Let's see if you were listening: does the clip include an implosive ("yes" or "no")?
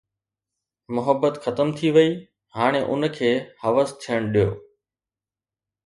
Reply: yes